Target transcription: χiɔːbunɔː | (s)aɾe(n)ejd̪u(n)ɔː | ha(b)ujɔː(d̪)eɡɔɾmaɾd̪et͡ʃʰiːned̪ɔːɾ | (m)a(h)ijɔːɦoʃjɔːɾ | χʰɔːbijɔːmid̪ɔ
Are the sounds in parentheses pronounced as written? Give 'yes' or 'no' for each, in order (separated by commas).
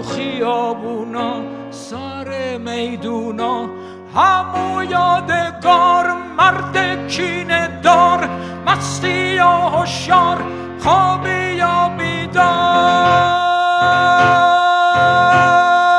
yes, no, yes, no, yes, yes, no